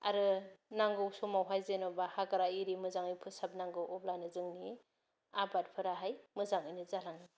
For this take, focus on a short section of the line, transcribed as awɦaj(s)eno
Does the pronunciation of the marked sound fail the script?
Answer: yes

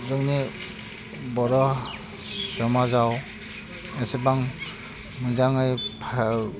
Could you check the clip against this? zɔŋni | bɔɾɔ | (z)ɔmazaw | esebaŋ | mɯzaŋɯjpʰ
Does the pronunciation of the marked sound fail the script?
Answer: yes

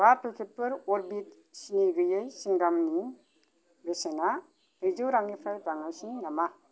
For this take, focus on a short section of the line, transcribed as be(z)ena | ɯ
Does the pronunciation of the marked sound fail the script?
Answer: yes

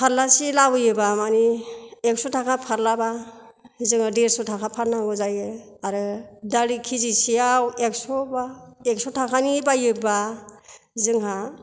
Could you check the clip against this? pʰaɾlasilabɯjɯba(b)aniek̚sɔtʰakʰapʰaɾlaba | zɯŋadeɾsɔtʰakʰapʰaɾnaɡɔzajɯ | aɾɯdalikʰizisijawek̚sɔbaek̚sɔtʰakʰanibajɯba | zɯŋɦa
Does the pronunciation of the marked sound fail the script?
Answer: yes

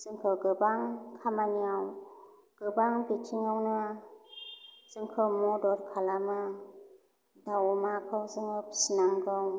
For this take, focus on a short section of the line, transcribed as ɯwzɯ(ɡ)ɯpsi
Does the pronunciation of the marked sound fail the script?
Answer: yes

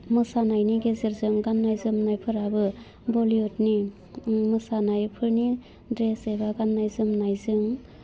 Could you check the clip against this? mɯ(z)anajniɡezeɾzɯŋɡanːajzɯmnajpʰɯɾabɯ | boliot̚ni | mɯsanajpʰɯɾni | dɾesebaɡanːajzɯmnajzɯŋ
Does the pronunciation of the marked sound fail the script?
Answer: yes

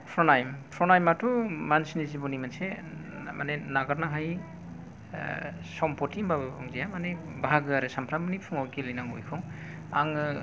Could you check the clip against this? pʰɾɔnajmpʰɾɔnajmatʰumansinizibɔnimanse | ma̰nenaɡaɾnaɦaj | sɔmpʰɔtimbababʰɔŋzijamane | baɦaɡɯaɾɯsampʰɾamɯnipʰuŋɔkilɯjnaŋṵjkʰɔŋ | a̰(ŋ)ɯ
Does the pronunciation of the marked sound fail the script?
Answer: no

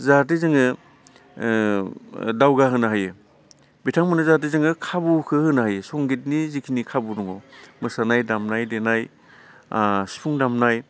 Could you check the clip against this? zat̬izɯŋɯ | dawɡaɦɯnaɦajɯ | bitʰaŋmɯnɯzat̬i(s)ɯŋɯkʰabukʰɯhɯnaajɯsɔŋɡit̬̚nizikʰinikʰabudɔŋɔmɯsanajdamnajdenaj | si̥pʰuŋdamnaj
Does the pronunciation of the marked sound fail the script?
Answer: yes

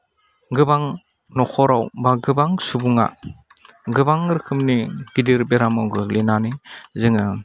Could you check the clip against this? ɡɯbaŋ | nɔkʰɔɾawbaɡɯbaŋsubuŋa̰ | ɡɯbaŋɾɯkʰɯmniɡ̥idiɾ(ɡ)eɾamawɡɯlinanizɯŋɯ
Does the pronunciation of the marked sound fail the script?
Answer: yes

